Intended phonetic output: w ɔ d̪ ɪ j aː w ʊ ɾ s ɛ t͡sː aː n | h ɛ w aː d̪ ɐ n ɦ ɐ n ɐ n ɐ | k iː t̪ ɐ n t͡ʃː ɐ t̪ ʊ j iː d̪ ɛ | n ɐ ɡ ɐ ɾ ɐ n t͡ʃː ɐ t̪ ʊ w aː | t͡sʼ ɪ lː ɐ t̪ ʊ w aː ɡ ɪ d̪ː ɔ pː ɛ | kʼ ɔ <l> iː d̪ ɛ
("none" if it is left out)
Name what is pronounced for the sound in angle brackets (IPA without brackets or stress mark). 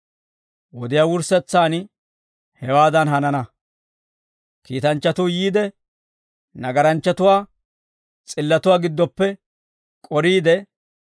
ɾ